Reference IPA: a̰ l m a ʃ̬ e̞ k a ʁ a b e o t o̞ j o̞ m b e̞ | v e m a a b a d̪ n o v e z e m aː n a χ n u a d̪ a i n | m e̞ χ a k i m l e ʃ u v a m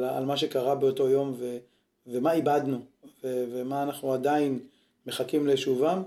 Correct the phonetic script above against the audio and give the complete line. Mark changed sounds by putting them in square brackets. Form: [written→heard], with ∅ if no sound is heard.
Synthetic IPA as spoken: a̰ l m a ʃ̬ e̞ k a ʁ a b e o t o̞ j o̞ m [b→v] e̞ | v e m a [a→i] b a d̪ n [o→u] v e [z→v] e m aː n a χ n u a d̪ a i n | m e̞ χ a k i m l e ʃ u v a m